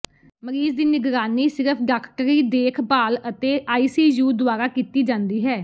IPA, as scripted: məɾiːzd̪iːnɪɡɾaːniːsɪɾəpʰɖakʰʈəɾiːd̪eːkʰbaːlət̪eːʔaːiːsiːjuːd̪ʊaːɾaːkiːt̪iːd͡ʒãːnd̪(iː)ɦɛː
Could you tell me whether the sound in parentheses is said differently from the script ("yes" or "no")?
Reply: no